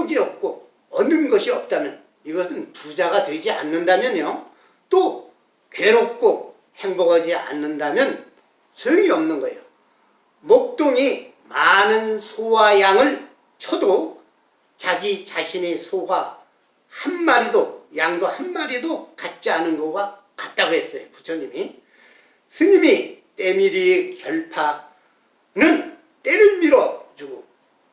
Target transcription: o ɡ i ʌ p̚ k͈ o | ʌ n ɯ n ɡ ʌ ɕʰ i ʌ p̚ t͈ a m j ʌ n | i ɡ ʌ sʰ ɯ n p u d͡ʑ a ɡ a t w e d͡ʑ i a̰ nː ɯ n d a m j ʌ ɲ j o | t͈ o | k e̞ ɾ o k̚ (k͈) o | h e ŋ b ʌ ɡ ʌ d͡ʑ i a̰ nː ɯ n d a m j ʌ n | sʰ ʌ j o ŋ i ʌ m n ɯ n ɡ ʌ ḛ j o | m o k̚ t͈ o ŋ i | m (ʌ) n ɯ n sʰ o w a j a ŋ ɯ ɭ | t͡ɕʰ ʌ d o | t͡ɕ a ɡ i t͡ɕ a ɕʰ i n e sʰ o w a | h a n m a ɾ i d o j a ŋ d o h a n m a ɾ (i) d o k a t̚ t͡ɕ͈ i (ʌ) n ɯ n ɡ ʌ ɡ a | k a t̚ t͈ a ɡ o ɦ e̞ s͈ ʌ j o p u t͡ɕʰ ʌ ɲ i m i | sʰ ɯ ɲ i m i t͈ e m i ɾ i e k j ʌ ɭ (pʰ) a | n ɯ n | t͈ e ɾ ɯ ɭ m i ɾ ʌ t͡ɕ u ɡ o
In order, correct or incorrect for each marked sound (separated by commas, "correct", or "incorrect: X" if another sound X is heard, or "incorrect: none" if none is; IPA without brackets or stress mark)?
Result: correct, incorrect: a, correct, incorrect: a, correct